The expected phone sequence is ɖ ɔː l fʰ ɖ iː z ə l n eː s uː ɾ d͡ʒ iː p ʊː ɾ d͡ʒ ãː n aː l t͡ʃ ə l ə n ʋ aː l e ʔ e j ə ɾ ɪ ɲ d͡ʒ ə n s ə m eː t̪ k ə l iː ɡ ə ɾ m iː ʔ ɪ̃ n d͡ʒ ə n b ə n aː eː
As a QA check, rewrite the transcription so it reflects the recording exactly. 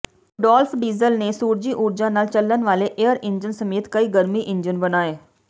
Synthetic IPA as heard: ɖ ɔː l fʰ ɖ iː z ə l n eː s uː ɾ d͡ʒ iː ʔ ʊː ɾ d͡ʒ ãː n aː l t͡ʃ ə l ə n ʋ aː l e ʔ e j ə ɾ ɪ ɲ d͡ʒ ə n s ə m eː t̪ k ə iː ɡ ə ɾ m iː ʔ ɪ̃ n d͡ʒ ə n b ə n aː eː